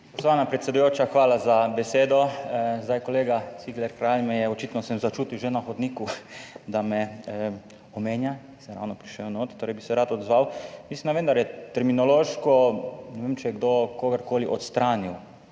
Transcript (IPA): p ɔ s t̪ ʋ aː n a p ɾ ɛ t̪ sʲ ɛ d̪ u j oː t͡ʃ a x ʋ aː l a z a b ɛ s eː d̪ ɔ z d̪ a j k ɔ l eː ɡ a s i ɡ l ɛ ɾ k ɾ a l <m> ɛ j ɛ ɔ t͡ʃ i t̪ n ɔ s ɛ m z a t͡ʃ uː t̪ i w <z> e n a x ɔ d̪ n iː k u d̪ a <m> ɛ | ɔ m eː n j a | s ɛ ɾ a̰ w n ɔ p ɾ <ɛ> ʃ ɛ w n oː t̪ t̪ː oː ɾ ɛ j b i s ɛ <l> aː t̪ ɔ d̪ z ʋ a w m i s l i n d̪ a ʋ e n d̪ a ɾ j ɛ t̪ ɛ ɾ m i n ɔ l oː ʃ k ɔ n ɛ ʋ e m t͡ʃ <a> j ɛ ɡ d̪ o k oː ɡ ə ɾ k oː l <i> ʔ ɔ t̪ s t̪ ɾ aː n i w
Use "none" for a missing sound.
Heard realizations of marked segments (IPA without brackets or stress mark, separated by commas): m, ʒ, m, i, ɾ, ɛ, i